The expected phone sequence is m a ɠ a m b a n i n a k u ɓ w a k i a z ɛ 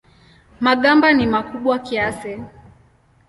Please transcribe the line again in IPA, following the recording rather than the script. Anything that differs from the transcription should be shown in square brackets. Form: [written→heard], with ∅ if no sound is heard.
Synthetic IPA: m a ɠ a m b a n i [n→m] a k u ɓ w a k i a [z→s] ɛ